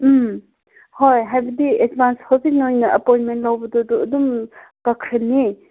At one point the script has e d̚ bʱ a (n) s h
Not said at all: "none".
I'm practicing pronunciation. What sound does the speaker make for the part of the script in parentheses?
n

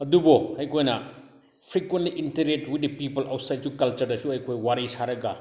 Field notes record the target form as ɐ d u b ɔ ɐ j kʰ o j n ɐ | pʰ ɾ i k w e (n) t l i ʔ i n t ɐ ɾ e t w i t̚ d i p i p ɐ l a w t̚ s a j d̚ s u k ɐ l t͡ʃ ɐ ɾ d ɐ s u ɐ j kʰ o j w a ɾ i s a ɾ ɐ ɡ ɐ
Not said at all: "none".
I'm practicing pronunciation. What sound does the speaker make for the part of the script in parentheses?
n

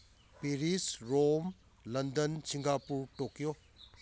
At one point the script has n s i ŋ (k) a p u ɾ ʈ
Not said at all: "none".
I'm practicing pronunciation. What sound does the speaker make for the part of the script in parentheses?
ɡ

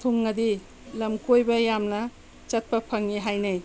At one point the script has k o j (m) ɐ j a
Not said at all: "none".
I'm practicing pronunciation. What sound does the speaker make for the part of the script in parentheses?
b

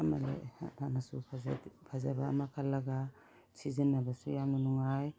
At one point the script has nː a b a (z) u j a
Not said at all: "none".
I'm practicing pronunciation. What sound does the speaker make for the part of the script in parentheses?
s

